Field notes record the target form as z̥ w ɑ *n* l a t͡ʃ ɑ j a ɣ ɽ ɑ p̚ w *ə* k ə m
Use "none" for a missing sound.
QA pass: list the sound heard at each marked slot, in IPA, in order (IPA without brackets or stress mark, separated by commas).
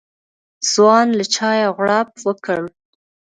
n, ə